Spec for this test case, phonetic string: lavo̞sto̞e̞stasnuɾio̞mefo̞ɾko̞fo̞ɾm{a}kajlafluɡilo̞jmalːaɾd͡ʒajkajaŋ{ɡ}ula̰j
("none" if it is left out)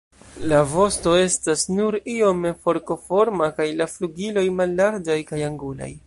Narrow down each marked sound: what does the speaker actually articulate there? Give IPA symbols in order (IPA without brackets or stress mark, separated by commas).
a, ɡ